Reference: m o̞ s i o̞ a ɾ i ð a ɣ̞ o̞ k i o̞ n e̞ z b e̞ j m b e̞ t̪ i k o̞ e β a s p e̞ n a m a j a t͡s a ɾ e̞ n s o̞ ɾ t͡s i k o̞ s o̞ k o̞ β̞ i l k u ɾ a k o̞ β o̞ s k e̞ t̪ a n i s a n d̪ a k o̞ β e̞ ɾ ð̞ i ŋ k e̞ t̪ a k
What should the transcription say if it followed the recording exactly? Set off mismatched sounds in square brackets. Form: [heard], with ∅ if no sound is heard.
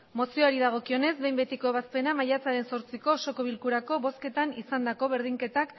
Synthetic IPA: m o̞ s i o̞ a ɾ i ð a ɣ̞ o̞ k i o̞ n e̞ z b e̞ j m b e̞ t̪ i k o̞ e β a s p e̞ n a m a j a t͡s a ɾ e̞ n s o̞ ɾ t͡s i k o̞ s o̞ k o̞ β̞ i l k u ɾ a k o̞ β o̞ s k e̞ t̪ a n i s a n d̪ a k o̞ β e̞ ɾ ð̞ i ŋ k e̞ t̪ a k

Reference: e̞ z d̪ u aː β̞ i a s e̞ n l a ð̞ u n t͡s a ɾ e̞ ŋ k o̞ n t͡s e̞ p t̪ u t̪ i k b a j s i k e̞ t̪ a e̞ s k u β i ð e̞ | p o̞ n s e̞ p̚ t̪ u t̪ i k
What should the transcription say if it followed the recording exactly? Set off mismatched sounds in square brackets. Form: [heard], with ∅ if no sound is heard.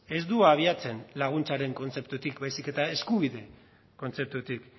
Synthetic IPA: e̞ z d̪ u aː β̞ i a [t͡s] e̞ n l a [ɣ̞] u n t͡s a ɾ e̞ ŋ k o̞ n t͡s e̞ p t̪ u t̪ i k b a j s i k e̞ t̪ a e̞ s k u β i ð e̞ | [k] o̞ n [t͡s] e̞ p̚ t̪ u t̪ i k

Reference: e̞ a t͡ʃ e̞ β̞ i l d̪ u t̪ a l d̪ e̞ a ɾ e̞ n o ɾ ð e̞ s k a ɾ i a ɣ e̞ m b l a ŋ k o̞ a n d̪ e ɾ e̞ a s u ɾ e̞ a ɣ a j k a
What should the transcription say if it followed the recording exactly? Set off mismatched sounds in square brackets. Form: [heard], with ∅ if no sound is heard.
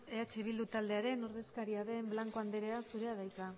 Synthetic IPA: e̞ a t͡ʃ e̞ β̞ i l d̪ u t̪ a l d̪ e̞ a ɾ e̞ n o ɾ ð e̞ s k a ɾ i a [ð] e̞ m b l a ŋ k o̞ a n d̪ e ɾ e̞ a s u ɾ e̞ a [ð] a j k a

